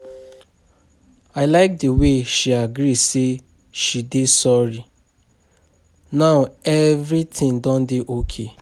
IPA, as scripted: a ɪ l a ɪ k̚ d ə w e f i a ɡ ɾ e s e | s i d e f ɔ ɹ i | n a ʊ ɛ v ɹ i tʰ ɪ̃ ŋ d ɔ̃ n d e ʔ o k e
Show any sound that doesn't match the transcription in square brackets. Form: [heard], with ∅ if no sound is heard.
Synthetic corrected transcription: a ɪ l a ɪ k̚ d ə w e [ʃ] i a ɡ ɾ [i] s e | [ʃ] i d e [s] ɔ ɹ i | n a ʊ ɛ v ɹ i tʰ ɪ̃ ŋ d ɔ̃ n d e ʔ o [kʰ] e